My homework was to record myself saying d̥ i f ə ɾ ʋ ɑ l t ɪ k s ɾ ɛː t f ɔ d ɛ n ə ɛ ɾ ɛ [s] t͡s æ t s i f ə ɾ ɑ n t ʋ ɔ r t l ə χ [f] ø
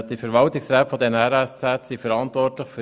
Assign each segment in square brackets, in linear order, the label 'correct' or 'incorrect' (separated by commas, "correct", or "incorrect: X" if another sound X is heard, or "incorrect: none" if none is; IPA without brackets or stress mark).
correct, correct